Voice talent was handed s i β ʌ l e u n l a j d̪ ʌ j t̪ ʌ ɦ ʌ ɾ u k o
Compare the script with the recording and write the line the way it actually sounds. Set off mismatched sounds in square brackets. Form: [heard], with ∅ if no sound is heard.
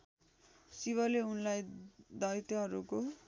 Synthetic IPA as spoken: s i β ʌ l e u n l a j d̪ ʌ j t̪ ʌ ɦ ʌ ɾ u k o